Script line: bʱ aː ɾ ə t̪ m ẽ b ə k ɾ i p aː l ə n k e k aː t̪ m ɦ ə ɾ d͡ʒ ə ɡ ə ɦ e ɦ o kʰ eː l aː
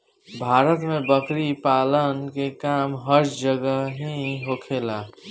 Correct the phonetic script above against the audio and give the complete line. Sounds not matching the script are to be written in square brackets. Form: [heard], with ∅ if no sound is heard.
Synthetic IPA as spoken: bʱ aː ɾ ə t̪ m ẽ b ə k ɾ i p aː l ə n k e k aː [∅] m ɦ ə ɾ d͡ʒ ə ɡ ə ɦ [i] ɦ o kʰ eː l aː